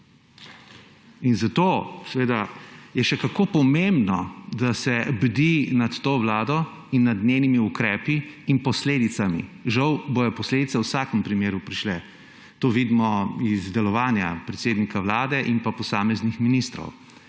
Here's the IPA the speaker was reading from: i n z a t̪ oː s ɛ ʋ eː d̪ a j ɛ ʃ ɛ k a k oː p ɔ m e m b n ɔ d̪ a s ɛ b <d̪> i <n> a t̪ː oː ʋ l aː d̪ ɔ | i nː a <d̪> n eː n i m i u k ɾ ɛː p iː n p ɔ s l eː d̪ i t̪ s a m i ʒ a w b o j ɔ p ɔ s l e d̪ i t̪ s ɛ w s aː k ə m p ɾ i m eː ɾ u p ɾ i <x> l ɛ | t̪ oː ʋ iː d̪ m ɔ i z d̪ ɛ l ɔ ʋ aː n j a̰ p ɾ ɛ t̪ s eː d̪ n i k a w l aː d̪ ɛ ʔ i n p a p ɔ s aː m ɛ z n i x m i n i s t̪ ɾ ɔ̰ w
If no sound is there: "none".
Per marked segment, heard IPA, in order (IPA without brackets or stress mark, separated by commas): d̪, n, d̪, ʃ